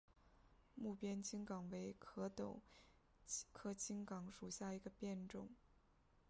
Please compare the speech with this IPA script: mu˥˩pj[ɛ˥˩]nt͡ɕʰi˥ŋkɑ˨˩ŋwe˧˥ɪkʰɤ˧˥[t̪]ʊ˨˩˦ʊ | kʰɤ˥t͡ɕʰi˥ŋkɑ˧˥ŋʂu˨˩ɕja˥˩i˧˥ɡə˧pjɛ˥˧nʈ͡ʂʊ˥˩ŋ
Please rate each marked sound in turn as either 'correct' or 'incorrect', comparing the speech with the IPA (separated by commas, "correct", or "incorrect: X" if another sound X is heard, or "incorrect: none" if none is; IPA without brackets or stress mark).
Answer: incorrect: ɛ˥, correct